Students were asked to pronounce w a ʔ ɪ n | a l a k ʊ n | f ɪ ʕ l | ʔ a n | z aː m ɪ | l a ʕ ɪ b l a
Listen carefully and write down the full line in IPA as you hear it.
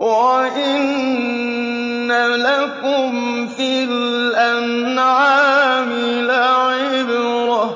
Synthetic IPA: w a ʔ ɪ n | a l a k ʊ m | f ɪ l | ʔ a n | ʕ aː m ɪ | l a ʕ ɪ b ɾ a